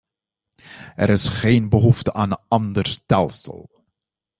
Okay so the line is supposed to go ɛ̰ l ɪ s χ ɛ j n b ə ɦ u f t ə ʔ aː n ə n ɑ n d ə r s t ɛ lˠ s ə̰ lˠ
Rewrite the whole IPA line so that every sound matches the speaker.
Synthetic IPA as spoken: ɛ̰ ɾ ɪ s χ e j n b ə ɦ u f t ə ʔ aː n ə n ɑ n d ə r s t ɛ lˠ s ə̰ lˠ